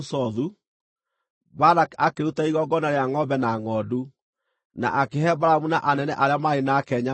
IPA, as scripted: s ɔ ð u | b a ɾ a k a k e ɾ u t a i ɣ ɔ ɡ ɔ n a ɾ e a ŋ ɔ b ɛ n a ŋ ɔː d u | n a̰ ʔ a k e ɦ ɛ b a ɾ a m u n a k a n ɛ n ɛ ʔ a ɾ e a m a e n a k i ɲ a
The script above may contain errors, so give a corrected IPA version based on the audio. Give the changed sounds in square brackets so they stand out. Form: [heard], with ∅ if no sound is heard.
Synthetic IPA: s ɔ ð u | b a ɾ a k a k e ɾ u t a i ɣ ɔ ɡ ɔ n a ɾ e a ŋ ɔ b ɛ n a ŋ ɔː d u | n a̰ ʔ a k e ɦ ɛ b a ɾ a m u n a [ʔ] a n ɛ n ɛ ʔ a ɾ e a m a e n a k [ɛ] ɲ a